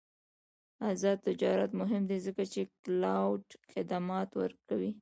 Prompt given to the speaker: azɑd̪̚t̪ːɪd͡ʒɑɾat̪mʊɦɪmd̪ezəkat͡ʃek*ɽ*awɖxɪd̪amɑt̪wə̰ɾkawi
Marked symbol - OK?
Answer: no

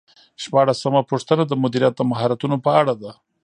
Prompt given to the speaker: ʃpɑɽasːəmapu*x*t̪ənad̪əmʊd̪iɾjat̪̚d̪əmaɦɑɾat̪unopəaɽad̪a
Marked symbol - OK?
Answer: no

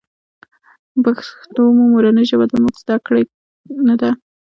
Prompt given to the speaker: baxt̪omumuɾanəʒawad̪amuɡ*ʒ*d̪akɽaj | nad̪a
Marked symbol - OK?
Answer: no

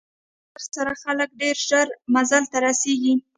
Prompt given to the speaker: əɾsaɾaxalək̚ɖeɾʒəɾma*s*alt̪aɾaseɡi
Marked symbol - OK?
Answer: no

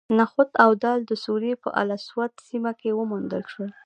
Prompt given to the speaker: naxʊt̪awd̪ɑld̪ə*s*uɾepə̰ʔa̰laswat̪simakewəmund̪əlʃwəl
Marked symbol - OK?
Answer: yes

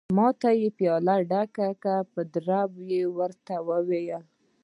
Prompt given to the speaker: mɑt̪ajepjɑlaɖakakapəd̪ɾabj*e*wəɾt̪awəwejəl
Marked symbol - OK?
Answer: yes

